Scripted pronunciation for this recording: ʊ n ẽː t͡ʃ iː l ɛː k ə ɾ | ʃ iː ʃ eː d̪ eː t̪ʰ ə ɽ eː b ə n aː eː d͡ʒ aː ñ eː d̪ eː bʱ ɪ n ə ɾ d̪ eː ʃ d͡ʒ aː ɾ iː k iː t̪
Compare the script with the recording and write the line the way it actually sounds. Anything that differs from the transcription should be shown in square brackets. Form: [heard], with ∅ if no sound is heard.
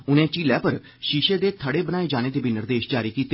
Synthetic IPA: ʊ n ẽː t͡ʃ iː l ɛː [p] ə ɾ | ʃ iː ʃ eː d̪ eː t̪ʰ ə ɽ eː b ə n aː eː d͡ʒ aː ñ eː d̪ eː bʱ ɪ n ə ɾ d̪ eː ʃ d͡ʒ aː ɾ iː k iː t̪